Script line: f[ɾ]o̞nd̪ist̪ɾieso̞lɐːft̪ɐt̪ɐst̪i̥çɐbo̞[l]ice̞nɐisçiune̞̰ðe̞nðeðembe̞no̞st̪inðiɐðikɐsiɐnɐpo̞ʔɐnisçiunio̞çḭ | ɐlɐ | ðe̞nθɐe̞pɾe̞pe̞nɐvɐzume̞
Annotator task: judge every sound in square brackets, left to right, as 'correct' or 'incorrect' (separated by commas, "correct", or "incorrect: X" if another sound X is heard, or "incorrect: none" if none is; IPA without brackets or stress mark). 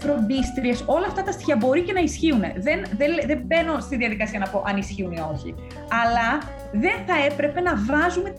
correct, incorrect: ɾ